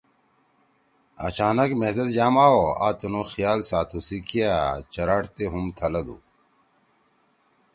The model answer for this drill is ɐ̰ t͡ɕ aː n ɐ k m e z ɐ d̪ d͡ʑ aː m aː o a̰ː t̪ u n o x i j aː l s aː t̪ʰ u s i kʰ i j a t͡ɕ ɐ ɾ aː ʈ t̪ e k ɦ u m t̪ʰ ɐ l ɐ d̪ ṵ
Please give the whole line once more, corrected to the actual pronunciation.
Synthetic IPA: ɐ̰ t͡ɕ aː n ɐ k m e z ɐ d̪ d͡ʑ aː m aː o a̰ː t̪ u n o x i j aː l s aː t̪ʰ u s i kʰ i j a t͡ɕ ɐ ɾ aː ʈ t̪ e ɦ u m t̪ʰ ɐ l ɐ d̪ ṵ